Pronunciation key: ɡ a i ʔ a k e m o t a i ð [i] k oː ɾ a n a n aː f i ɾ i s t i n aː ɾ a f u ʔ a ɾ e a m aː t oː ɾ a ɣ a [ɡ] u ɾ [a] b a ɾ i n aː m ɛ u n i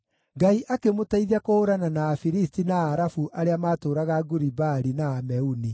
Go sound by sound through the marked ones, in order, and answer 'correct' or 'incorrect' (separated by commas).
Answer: incorrect, correct, incorrect